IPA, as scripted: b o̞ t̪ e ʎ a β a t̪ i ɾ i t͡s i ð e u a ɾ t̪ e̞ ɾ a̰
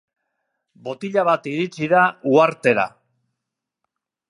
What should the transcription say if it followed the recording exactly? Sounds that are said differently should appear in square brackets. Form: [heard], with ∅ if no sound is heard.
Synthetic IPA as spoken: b o̞ t̪ [i] ʎ a β a t̪ i ɾ i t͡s i ð [a] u a ɾ t̪ e̞ ɾ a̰